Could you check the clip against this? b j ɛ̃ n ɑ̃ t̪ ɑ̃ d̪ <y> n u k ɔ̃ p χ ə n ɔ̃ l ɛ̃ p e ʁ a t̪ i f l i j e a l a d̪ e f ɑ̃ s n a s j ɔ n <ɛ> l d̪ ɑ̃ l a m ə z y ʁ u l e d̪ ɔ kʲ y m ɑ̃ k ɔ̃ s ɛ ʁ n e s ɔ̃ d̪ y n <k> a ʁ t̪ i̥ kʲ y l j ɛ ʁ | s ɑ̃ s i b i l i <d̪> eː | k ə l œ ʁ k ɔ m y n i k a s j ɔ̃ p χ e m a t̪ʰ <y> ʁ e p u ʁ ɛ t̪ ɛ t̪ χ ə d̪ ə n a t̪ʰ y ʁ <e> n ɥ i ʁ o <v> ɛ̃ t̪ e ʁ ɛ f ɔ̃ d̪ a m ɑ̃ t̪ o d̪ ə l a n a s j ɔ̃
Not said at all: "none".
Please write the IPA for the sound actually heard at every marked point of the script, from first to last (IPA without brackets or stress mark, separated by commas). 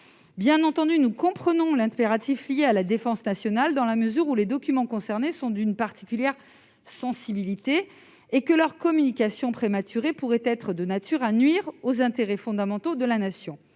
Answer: y, a, p, t̪, y, a, z